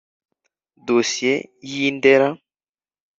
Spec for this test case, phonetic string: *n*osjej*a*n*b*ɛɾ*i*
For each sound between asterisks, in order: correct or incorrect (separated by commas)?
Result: incorrect, incorrect, incorrect, incorrect